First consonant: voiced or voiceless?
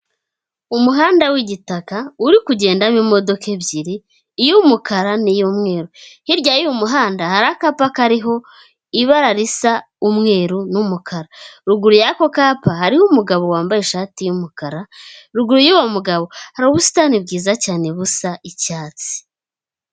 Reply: voiced